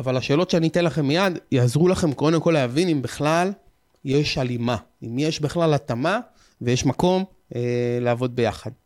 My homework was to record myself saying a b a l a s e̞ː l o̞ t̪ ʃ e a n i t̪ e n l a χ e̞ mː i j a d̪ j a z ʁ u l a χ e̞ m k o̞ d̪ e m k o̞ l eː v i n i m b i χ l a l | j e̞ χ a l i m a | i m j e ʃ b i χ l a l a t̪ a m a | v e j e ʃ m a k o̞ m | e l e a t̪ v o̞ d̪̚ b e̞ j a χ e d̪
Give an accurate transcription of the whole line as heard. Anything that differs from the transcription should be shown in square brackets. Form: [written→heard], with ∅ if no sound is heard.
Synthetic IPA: a [b→v] a l a [s→ʃ] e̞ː l o̞ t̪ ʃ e a n i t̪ e n l a χ e̞ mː i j a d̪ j a z ʁ u l a χ e̞ m k o̞ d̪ e m k o̞ l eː v i n i m b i χ l a l | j e̞ [χ→ʃ] a l i m a | i m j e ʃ b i χ l a l a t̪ a m a | v e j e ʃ m a k o̞ m | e l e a [t̪→∅] v o̞ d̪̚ b e̞ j a χ [e→a] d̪